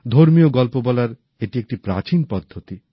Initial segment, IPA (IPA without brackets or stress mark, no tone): d̪ʱ